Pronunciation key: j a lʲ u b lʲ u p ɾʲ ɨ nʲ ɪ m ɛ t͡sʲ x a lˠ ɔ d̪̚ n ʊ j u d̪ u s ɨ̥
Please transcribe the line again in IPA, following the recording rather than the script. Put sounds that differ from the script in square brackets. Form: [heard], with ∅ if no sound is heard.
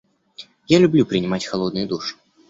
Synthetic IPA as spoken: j a lʲ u b lʲ u p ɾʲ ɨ nʲ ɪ m [a] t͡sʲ x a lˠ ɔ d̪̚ n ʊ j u d̪ u [ʂ] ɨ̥